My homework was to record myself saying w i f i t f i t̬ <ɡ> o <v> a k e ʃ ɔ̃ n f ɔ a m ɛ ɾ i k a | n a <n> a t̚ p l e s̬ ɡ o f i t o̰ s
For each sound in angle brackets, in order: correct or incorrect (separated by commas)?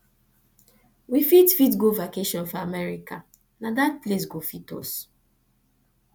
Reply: correct, correct, incorrect